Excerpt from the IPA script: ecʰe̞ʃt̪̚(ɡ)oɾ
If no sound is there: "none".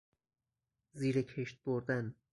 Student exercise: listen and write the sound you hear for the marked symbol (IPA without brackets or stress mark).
b